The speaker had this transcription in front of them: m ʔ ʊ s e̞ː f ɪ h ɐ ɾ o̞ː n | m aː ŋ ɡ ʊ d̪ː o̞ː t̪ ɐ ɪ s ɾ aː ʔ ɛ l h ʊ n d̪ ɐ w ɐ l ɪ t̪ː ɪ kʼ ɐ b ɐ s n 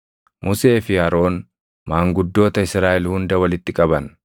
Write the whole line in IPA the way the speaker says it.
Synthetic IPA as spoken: m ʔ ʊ s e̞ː f ɪ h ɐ ɾ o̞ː n | m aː ŋ ɡ ʊ d̪ː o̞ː t̪ ɐ ɪ s ɾ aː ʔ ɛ l h ʊ n d̪ ɐ w ɐ l ɪ t̪ː ɪ kʼ ɐ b ɐ n